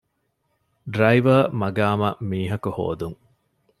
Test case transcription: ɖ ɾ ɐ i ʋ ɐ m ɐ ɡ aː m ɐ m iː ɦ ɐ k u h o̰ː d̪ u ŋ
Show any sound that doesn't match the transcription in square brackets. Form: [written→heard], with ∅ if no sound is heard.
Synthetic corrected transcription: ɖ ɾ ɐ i ʋ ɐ m ɐ ɡ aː m ɐ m iː ɦ ɐ k u h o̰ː d̪ u ŋ